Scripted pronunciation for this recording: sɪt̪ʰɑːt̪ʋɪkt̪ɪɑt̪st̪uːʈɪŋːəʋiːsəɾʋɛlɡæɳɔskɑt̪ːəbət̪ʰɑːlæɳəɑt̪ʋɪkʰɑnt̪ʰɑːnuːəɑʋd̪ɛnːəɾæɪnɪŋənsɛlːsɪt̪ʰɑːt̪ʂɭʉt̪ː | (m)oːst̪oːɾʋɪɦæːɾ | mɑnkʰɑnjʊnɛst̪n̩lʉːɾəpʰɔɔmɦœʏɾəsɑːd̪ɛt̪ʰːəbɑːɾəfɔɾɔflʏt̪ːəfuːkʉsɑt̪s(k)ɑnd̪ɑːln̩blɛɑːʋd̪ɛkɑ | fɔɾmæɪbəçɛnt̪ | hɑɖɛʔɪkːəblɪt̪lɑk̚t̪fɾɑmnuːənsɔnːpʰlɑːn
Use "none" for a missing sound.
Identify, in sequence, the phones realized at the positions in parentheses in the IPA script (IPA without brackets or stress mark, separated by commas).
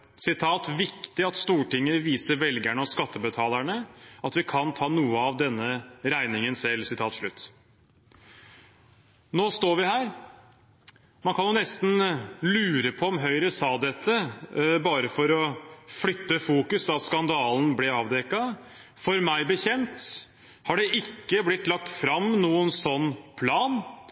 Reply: n, k